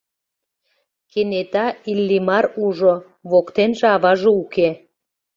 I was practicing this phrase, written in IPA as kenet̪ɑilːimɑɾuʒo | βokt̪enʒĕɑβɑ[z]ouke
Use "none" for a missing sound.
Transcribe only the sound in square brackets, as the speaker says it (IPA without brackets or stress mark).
ʒ